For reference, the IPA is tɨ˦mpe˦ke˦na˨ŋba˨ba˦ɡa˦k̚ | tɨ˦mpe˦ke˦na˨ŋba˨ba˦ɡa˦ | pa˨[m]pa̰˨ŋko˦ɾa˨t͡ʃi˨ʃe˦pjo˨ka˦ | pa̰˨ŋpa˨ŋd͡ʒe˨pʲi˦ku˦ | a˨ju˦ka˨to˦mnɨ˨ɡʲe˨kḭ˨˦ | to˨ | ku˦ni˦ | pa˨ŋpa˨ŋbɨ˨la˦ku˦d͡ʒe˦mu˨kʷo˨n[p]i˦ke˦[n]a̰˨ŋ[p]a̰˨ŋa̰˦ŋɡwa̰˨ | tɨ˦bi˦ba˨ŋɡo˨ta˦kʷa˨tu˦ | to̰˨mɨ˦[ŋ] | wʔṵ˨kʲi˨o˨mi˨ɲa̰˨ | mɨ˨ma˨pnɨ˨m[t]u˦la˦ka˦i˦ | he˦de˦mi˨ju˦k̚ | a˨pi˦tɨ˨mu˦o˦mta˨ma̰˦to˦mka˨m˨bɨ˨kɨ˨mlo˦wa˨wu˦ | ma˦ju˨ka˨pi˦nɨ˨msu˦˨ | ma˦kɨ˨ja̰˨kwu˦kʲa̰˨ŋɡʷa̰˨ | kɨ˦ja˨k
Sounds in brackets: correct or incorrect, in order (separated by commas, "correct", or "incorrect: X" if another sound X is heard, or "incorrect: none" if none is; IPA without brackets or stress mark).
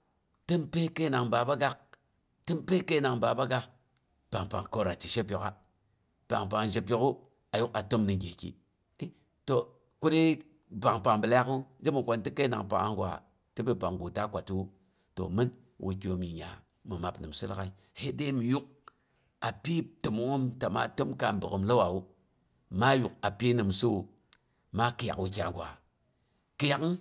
incorrect: ŋ, incorrect: t, correct, correct, incorrect: n, incorrect: s